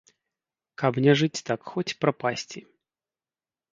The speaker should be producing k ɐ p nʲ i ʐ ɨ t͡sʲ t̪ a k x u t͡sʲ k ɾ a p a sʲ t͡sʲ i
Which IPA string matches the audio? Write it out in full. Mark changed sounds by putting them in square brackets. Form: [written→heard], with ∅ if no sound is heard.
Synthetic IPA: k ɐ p nʲ [i→ɛ] ʐ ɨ t͡sʲ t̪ a k x [u→ɔ] t͡sʲ [k→p] ɾ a p a sʲ t͡sʲ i